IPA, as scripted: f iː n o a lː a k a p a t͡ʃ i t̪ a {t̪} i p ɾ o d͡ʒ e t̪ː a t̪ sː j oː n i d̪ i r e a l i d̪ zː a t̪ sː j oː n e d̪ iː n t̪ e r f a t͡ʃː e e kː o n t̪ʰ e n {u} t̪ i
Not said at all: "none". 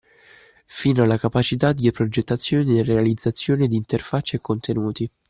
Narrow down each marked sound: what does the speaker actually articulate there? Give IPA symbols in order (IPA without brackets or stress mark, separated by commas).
d̪, uː